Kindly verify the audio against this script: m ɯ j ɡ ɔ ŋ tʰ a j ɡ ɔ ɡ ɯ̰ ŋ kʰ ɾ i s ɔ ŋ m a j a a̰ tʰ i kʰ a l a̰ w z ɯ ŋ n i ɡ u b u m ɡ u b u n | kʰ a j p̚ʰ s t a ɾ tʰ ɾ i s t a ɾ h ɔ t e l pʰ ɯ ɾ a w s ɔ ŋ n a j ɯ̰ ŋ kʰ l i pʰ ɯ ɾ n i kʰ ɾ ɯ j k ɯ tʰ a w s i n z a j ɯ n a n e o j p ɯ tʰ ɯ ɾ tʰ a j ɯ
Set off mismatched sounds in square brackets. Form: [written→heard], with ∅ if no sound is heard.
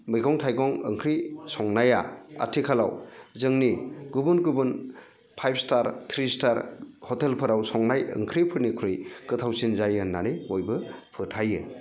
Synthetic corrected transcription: m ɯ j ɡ ɔ ŋ tʰ a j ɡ ɔ [ɡ→ŋ] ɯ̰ ŋ kʰ ɾ i s ɔ ŋ [m→n] a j a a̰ tʰ i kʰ a l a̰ w z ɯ ŋ n i ɡ u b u [m→n] ɡ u b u n | [kʰ→pʰ] a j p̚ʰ s t a ɾ tʰ ɾ i s t a ɾ h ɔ t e l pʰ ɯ ɾ a w s ɔ ŋ n a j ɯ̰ ŋ kʰ [l→ɾ] i pʰ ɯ ɾ n i kʰ ɾ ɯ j k ɯ tʰ a w s i n z a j ɯ n a n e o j [p→b] ɯ [tʰ→pʰ] ɯ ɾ tʰ a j ɯ